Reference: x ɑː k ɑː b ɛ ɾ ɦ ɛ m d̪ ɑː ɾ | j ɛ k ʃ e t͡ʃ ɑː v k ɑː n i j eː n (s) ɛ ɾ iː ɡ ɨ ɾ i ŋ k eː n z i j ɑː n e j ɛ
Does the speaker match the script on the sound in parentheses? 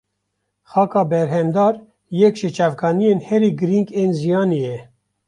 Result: no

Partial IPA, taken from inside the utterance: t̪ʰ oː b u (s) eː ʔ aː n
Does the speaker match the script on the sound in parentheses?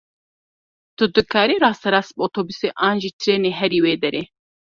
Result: yes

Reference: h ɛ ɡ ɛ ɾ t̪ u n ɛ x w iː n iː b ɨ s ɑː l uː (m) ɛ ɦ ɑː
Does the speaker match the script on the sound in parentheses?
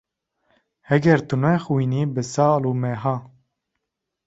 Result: yes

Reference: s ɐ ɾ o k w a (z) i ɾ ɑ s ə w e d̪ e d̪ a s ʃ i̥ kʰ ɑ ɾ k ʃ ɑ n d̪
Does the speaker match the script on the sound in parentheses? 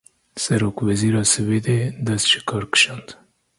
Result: yes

